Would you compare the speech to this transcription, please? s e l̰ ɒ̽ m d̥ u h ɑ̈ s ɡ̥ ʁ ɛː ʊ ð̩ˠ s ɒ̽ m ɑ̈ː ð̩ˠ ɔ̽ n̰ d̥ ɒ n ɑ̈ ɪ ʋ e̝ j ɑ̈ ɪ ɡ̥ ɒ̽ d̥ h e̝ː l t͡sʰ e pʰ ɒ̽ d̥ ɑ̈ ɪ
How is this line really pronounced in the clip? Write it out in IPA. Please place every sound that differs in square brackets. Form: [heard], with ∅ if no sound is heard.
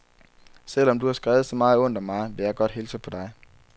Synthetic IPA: s e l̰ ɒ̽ m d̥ u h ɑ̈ s ɡ̥ ʁ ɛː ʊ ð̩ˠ s ɒ̽ m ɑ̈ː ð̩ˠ ɔ̽ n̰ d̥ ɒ [m] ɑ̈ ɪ ʋ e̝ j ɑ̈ ɪ ɡ̥ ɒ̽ d̥ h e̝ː l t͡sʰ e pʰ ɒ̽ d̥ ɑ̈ ɪ